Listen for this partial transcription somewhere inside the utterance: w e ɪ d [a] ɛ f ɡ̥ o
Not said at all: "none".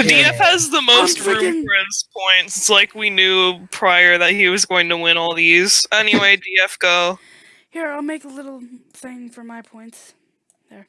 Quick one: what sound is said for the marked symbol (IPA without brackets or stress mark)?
i